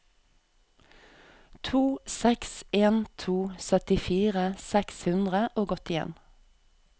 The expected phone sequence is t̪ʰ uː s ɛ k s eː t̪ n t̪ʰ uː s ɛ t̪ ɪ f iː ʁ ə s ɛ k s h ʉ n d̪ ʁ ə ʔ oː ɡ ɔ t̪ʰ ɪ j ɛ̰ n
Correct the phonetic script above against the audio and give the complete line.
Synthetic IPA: t̪ʰ uː s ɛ k s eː n t̪ʰ uː s œ t̪ ɪ f iː ʁ ə s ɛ k s h ʉ n d̪ ʁ ə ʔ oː ɡ ɔ t̪ ɪ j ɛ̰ n